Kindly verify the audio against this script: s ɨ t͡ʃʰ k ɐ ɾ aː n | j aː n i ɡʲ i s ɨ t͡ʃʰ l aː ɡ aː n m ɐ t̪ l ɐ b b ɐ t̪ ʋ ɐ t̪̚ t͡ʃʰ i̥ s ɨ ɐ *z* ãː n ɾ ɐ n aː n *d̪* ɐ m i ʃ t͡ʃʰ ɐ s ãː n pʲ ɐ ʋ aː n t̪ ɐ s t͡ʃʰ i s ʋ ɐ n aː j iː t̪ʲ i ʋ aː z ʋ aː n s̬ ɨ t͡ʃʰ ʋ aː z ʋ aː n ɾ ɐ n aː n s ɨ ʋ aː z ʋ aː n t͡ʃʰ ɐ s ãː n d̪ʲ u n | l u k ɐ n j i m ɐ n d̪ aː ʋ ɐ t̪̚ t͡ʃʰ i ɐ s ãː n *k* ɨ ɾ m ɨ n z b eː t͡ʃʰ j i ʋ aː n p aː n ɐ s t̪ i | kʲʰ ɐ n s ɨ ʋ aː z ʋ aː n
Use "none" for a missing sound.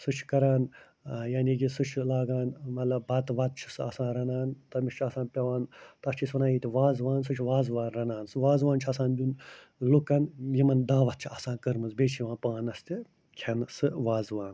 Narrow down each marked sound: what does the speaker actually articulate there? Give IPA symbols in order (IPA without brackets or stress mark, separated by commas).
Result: s, t̪, k